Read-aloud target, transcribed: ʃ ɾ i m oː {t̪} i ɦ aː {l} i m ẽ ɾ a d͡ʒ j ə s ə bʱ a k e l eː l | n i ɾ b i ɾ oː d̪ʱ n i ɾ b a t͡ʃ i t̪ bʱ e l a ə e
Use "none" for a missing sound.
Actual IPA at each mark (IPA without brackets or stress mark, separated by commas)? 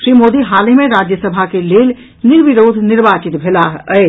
d̪, l